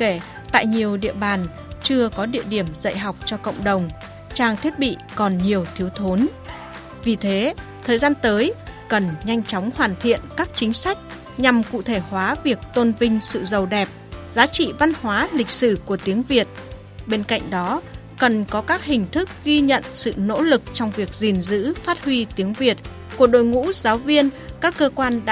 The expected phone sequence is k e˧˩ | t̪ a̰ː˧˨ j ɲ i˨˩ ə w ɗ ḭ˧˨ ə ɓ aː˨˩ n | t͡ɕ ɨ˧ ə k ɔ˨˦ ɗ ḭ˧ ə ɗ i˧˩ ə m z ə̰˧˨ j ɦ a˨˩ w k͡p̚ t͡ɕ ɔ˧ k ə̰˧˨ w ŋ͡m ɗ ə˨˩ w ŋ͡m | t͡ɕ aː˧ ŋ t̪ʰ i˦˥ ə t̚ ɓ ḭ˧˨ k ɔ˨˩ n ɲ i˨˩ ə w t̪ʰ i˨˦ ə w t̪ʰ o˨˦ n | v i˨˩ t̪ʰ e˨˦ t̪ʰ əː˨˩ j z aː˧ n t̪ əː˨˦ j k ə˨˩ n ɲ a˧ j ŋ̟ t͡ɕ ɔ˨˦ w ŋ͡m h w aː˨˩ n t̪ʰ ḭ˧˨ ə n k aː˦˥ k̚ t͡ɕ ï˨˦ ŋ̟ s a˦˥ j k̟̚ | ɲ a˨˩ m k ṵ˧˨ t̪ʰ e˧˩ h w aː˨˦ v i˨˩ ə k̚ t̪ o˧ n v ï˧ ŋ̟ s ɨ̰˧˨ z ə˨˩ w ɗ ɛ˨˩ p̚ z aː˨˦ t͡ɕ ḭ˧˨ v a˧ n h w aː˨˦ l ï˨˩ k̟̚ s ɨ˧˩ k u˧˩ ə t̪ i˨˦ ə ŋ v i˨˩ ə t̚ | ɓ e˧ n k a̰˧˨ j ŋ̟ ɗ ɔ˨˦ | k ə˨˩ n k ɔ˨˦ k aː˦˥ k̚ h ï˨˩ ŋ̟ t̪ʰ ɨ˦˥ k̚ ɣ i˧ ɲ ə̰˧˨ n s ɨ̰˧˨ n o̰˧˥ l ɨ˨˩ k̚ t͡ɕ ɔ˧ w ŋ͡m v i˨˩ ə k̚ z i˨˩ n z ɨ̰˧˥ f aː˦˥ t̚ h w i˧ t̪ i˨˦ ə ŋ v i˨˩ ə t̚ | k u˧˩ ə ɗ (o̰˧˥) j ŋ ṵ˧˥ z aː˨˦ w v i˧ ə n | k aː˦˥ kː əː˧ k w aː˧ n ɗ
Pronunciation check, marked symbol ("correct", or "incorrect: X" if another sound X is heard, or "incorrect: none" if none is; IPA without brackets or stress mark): incorrect: o̰˧˨